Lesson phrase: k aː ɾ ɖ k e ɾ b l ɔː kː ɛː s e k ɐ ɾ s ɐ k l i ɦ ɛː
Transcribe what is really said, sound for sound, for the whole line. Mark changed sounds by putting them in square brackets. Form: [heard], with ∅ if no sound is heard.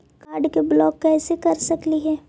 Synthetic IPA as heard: k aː ɾ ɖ k e [∅] b l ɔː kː ɛː s e k ɐ ɾ s ɐ k l i ɦ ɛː